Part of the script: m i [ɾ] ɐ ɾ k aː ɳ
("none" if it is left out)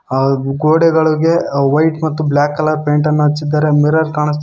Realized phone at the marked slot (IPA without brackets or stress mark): ɾ